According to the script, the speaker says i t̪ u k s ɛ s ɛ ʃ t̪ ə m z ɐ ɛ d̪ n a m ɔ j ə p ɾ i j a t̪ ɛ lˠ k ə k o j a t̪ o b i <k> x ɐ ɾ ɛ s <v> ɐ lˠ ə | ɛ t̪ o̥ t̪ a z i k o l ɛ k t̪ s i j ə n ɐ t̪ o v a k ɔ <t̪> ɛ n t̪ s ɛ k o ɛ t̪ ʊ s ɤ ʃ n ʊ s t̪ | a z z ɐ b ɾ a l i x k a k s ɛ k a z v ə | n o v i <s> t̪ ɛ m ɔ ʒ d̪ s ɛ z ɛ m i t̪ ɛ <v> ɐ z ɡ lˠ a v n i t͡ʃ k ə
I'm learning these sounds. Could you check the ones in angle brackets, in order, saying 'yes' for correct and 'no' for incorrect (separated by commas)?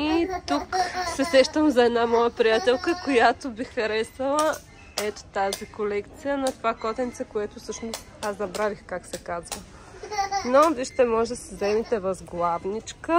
no, yes, yes, no, yes